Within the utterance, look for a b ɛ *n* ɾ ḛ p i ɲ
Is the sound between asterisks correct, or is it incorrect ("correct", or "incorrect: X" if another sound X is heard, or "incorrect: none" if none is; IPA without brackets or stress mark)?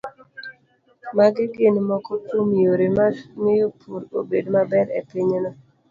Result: incorrect: none